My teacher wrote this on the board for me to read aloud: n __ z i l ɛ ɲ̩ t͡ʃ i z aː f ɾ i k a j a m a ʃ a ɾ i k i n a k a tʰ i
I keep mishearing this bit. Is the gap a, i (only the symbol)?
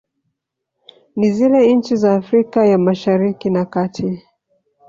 i